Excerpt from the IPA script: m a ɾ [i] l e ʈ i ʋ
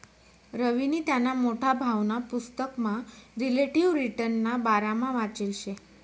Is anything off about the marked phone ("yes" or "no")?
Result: no